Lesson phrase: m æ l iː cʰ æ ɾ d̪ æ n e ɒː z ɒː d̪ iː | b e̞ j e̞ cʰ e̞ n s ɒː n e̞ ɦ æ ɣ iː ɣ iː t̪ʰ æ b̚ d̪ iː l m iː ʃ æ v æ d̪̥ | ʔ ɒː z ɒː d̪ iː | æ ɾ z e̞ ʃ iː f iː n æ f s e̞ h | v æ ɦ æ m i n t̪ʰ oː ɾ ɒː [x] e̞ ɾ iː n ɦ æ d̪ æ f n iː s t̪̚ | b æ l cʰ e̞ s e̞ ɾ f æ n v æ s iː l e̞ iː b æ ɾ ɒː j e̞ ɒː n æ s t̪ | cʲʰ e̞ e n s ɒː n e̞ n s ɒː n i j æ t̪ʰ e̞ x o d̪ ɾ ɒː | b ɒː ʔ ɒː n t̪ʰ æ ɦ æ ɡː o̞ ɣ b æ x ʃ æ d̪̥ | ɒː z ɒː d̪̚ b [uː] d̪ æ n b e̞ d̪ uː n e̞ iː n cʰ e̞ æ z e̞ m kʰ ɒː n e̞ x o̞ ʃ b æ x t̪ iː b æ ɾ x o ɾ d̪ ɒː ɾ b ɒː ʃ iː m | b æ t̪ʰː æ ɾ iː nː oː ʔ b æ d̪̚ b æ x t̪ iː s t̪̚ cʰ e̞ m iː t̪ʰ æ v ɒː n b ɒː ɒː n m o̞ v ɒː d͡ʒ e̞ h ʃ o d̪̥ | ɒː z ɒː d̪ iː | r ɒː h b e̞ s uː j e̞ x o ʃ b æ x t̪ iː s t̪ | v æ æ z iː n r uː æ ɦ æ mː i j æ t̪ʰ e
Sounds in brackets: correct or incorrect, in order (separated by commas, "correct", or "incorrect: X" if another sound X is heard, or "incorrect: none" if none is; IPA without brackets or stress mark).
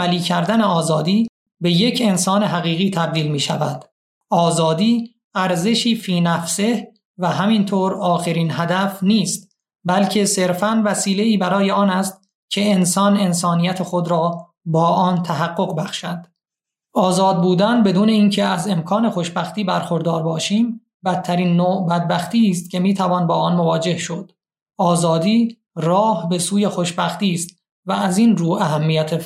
correct, correct